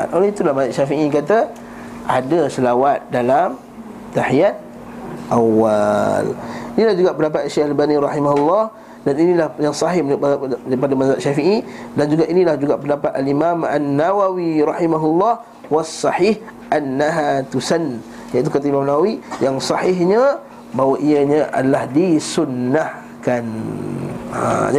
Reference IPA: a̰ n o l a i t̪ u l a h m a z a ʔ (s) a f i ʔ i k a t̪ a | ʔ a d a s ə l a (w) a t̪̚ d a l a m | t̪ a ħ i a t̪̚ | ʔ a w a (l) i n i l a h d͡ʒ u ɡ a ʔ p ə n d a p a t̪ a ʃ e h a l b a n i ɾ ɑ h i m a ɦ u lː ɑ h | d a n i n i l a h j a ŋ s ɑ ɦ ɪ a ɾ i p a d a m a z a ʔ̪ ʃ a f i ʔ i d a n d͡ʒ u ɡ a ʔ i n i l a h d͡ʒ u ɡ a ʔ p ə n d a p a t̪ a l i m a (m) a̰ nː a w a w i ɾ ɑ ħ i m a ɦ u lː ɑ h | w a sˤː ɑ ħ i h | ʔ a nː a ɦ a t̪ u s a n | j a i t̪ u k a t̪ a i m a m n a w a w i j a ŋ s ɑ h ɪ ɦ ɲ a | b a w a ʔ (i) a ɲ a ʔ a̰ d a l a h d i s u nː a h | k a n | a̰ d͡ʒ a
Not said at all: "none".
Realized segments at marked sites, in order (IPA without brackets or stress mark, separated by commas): ʃ, w, l, m, i